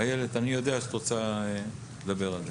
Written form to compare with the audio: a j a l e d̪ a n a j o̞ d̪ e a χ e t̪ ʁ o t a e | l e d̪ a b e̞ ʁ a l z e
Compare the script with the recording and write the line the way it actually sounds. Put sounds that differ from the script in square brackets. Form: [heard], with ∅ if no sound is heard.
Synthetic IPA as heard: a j [e] l e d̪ a n [i] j o̞ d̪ e a [ʃ] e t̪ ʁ o [t͡s] a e | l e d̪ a b e̞ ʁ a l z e